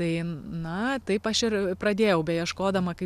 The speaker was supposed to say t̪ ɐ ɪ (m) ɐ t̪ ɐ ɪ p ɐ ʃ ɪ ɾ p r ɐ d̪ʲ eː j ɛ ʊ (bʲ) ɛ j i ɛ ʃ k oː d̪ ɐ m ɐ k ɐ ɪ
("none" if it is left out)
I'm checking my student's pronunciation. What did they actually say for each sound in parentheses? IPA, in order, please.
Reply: n, bʲ

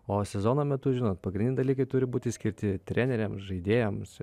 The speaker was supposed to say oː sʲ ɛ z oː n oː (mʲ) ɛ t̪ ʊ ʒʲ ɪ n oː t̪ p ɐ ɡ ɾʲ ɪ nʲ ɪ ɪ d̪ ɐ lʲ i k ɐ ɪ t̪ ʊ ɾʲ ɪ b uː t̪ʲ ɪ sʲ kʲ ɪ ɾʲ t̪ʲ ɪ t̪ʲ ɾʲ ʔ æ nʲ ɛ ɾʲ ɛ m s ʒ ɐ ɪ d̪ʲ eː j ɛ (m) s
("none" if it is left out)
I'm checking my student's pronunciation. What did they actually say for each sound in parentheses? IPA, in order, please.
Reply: mʲ, m

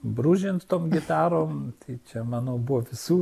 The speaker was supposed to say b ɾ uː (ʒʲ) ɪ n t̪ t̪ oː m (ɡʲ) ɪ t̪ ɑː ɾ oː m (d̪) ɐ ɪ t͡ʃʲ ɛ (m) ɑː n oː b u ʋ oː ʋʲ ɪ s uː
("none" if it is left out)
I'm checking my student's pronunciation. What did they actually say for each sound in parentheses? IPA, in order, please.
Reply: ʒʲ, ɡʲ, t̪, m

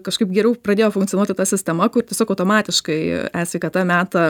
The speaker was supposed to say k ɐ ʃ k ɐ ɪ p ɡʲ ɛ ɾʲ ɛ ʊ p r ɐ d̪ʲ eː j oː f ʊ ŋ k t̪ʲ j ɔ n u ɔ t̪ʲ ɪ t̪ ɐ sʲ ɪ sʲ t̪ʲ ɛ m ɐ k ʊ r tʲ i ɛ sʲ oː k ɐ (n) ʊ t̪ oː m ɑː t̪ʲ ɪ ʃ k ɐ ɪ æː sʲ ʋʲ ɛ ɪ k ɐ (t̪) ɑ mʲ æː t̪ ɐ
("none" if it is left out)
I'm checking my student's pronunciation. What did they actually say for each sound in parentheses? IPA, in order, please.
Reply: none, t̪

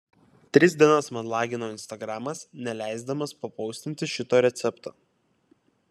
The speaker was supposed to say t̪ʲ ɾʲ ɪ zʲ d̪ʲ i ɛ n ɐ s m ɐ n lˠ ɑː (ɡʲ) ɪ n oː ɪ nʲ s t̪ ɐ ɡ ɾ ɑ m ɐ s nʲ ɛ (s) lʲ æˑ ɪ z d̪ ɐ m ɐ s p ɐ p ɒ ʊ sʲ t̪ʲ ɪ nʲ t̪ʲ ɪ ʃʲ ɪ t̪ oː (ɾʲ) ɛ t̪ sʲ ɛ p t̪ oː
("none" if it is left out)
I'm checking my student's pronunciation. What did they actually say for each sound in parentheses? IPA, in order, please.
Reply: ɡʲ, none, ɾʲ

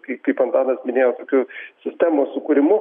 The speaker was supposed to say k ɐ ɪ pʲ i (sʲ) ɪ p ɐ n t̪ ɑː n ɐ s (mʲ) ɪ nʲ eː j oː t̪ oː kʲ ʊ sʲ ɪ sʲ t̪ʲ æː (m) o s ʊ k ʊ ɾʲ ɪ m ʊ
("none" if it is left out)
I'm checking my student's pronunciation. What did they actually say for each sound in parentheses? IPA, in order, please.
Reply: none, mʲ, m

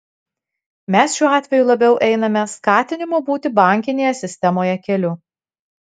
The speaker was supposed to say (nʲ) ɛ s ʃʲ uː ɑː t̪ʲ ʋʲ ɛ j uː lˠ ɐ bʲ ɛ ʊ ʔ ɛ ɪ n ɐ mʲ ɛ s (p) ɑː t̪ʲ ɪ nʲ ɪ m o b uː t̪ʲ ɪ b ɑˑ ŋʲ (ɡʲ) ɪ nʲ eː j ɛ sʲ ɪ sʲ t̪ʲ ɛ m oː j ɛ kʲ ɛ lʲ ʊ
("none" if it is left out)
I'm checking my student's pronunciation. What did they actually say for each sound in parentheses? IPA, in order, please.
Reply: mʲ, k, kʲ

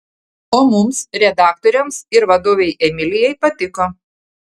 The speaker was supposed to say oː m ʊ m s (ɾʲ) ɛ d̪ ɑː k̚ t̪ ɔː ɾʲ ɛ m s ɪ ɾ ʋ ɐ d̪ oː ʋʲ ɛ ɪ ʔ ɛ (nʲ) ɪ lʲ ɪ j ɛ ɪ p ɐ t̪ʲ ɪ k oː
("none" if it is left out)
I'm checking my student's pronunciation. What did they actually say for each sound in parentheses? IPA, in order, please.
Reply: ɾʲ, mʲ

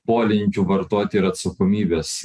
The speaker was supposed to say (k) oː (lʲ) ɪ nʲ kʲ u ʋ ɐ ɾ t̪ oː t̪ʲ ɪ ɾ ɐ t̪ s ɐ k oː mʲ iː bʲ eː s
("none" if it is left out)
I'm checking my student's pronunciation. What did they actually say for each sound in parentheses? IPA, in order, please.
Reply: p, lʲ

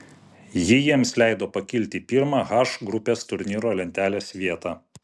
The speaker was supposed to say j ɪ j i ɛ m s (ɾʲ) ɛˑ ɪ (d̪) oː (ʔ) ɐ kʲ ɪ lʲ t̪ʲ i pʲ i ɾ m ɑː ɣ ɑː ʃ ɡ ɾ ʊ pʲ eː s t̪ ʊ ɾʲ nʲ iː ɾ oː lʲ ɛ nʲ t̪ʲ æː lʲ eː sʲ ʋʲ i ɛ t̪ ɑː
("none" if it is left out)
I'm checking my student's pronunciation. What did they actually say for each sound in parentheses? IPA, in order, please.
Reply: lʲ, d̪, p

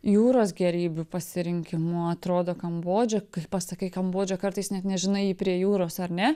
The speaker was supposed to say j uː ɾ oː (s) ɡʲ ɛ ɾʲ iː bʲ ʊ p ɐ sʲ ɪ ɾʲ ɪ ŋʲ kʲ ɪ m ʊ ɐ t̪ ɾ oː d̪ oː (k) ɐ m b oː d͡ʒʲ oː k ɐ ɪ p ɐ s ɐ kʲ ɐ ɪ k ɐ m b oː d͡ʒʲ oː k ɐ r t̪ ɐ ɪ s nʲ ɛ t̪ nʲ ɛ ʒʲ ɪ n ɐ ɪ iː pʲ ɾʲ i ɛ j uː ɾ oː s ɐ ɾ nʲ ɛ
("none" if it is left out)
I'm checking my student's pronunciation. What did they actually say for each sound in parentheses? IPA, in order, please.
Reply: s, k

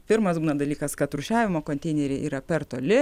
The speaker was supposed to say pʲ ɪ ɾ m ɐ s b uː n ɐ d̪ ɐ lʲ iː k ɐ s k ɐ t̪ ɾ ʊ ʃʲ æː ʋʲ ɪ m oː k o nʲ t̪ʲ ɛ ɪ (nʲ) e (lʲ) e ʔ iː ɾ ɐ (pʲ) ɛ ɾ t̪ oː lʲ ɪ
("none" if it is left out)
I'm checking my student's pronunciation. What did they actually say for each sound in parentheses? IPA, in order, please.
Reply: nʲ, ɾʲ, pʲ

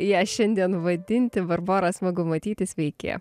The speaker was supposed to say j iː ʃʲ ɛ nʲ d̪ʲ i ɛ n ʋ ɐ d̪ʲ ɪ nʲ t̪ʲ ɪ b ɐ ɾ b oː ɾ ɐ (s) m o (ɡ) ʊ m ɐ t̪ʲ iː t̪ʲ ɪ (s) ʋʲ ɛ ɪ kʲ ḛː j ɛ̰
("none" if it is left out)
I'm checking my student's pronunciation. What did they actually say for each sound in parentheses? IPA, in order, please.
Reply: s, ɡ, s

